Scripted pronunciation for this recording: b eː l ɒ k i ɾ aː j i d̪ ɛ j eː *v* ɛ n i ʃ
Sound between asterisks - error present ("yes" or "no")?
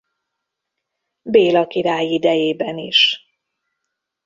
yes